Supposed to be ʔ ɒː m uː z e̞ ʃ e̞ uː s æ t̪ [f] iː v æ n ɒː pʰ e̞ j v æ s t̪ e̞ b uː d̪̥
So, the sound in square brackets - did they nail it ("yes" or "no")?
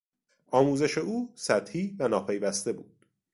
no